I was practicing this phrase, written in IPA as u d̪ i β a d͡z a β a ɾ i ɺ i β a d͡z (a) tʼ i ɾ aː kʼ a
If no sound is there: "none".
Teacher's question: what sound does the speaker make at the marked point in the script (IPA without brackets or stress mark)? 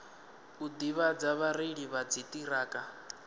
i